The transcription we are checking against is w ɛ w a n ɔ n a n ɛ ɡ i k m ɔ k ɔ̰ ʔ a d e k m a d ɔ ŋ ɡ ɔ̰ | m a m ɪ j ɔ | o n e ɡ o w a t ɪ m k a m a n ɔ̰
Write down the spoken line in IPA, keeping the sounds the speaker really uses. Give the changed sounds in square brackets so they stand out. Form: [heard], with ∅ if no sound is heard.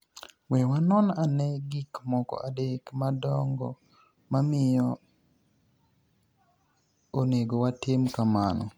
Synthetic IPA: w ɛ w a n ɔ n a n ɛ ɡ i k m ɔ k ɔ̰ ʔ a d e k m a d ɔ ŋ ɡ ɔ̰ | m a m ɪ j ɔ | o n e ɡ o w a t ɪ m k a m a n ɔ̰

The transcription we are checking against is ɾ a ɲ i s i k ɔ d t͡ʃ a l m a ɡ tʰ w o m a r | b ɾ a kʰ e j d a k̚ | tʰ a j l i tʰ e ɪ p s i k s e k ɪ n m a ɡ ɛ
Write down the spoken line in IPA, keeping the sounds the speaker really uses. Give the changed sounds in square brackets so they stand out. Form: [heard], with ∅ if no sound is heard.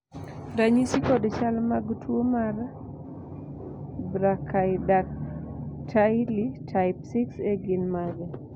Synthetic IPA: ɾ a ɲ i s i k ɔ d t͡ʃ a l m a ɡ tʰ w o m a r | b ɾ a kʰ [a] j d a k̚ | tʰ a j l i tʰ [a] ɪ p s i k s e [ɡ] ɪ n m a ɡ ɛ

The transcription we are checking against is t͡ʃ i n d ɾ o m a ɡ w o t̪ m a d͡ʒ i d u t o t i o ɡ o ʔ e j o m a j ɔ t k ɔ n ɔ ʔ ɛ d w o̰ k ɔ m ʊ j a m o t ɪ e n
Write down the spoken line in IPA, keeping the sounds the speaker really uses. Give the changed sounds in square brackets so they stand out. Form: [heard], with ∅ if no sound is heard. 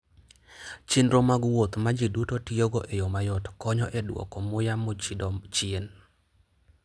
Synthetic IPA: t͡ʃ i n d ɾ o m a ɡ w o t̪ m a d͡ʒ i d u t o t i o ɡ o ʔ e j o m a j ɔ t k ɔ [ɲ] ɔ ʔ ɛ d w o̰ k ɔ m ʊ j a m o [t͡ʃ] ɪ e n

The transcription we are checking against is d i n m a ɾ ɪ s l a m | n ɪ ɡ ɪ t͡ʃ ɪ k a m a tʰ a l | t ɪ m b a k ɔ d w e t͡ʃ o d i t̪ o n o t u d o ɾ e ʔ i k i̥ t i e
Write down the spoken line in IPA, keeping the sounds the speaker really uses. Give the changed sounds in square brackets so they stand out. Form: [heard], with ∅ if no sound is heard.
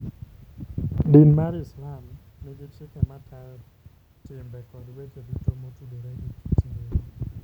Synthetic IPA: d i n m a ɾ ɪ s l a m | n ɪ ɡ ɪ t͡ʃ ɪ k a m a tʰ a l | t ɪ m b [ɛ] k ɔ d w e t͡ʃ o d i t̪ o [m] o t u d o ɾ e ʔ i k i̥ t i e

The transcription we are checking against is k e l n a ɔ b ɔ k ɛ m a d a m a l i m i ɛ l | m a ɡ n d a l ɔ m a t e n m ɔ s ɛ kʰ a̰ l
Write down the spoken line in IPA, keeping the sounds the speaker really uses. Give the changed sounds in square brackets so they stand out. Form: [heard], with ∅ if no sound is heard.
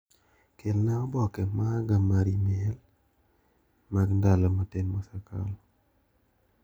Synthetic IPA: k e l n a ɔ b ɔ k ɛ m a [ɡ] a m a [ɾ] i m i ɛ l | m a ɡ n d a l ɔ m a t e n m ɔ s [a] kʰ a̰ l

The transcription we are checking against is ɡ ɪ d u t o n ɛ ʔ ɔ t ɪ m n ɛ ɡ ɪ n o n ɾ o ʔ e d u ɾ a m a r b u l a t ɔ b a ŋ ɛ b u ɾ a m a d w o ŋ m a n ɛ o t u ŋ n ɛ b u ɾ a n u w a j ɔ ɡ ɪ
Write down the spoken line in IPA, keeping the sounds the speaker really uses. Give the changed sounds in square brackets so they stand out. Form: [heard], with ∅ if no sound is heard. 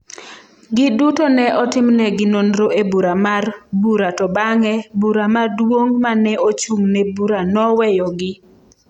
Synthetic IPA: ɡ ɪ d u t o n ɛ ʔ ɔ t ɪ m n ɛ ɡ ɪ n o n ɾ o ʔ e [b] u ɾ a m a r b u [ɾ] a t ɔ b a ŋ ɛ b u ɾ a m a d w o ŋ m a n ɛ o [t͡ʃ] u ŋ n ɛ b u ɾ a n [ɔ] w [ɛ] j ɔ ɡ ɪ

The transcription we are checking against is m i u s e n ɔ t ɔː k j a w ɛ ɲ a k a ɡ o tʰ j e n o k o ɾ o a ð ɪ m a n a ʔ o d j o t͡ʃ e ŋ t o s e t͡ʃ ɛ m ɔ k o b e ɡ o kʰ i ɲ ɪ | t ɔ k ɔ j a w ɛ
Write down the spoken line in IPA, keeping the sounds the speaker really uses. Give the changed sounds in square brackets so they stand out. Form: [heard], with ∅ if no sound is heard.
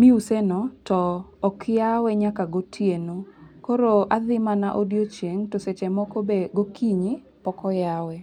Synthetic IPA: m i u s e n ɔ t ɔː k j a w ɛ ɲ a k a ɡ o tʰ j e n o k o ɾ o a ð ɪ m a n a ʔ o d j o t͡ʃ e ŋ t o s e t͡ʃ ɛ m ɔ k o b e ɡ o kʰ i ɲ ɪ | [p] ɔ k ɔ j a w ɛ

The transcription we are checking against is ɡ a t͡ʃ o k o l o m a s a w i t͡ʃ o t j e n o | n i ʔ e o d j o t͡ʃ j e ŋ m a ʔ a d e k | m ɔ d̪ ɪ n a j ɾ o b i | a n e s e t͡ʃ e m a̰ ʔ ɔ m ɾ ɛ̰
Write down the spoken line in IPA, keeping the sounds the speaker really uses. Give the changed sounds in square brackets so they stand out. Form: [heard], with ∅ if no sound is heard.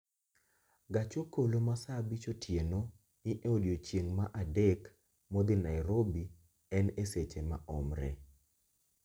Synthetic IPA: ɡ a t͡ʃ o k o l o m a s a [b] i t͡ʃ o t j e n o | n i ʔ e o d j o t͡ʃ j e ŋ m a ʔ a d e k | m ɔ d̪ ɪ n a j ɾ o b i | [ɛ] n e s e t͡ʃ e m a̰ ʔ ɔ m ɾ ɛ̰

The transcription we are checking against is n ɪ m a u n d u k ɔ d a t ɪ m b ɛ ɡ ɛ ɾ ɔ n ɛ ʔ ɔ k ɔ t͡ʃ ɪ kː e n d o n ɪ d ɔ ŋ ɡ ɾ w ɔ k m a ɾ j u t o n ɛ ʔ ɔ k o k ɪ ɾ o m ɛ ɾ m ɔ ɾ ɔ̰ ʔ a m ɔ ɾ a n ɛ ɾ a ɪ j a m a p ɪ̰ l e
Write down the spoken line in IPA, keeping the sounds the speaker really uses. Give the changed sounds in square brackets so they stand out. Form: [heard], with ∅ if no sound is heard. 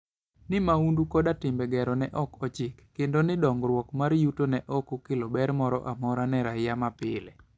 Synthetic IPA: n ɪ m a u n d u k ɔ d a t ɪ m b ɛ ɡ ɛ ɾ ɔ n ɛ ʔ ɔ k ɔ t͡ʃ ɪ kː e n d o n ɪ d ɔ ŋ ɡ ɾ w ɔ k m a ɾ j u t o n ɛ ʔ ɔ k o k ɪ [l] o [b] ɛ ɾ m ɔ ɾ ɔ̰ ʔ a m ɔ ɾ a n ɛ ɾ a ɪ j a m a p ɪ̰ l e

